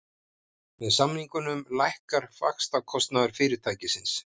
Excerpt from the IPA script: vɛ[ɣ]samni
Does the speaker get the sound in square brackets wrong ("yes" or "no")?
yes